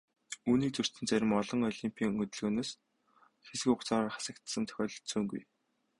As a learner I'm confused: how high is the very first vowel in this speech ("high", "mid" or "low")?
high